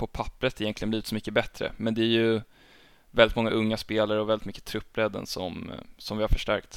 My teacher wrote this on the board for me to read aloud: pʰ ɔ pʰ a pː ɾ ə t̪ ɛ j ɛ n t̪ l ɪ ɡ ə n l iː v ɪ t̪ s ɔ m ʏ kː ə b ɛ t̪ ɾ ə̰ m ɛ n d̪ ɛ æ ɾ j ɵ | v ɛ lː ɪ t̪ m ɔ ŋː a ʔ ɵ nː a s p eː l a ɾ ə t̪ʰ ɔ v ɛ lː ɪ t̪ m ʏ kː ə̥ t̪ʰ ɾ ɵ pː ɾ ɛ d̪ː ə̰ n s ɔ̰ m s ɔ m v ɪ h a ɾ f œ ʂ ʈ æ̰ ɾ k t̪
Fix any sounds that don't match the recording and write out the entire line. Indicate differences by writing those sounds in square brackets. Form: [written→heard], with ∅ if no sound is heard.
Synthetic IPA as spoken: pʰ ɔ pʰ a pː ɾ ə t̪ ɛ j ɛ n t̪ l ɪ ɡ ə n l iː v ɪ t̪ s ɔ m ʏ kː ə b ɛ t̪ ɾ ə̰ m ɛ n d̪ ɛ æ ɾ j ɵ | v ɛ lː ɪ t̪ m ɔ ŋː a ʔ ɵ [nː→ŋː] a s p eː l a ɾ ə [t̪ʰ→∅] ɔ v ɛ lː ɪ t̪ m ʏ kː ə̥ t̪ʰ ɾ ɵ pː ɾ ɛ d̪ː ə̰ n s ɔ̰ m s ɔ m v ɪ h a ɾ f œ ʂ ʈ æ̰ ɾ k t̪